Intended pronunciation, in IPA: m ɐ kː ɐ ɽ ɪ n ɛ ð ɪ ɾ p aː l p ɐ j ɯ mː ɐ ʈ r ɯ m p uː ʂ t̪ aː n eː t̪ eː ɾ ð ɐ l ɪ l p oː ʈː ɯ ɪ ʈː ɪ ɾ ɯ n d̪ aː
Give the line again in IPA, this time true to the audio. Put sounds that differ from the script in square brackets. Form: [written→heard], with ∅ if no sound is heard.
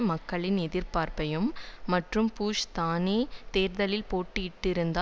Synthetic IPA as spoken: m ɐ kː ɐ [ɽ→ɭ] ɪ n ɛ ð ɪ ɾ p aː [l→ɾ] p ɐ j ɯ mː ɐ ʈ r ɯ m p uː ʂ t̪ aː n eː t̪ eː ɾ ð ɐ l ɪ l p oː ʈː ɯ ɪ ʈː ɪ ɾ ɯ n d̪ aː